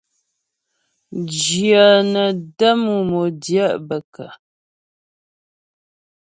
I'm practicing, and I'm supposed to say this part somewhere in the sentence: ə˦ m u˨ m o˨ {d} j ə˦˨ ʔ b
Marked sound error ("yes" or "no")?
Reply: no